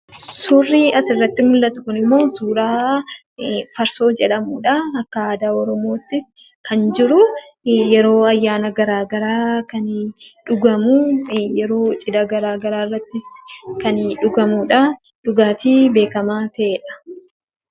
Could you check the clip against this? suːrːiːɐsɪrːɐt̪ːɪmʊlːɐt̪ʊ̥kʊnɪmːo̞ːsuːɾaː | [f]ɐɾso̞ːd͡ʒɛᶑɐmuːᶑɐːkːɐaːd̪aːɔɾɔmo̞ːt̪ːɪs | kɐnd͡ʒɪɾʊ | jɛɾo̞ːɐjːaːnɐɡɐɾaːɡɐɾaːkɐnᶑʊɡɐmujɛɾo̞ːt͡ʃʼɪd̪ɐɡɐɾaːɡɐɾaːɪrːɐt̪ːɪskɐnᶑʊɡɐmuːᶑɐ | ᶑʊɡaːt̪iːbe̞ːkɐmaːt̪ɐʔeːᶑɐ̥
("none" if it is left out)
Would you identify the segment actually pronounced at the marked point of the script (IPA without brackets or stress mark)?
f